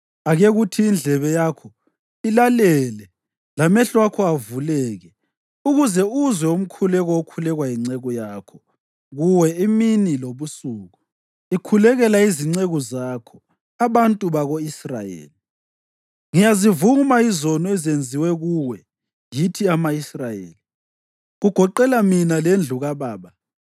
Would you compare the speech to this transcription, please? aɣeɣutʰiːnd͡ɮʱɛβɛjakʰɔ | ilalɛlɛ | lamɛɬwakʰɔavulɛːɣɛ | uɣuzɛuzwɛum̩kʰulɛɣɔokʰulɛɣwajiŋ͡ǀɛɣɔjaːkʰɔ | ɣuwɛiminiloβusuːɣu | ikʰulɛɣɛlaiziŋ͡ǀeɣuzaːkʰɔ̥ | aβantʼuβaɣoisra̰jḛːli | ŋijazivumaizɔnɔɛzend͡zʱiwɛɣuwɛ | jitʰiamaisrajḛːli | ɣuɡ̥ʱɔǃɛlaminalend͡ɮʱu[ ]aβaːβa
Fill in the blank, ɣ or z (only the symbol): ɣ